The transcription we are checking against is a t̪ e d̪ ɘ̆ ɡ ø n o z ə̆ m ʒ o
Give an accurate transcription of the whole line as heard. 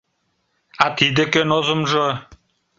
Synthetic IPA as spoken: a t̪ i d̪ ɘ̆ k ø n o z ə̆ m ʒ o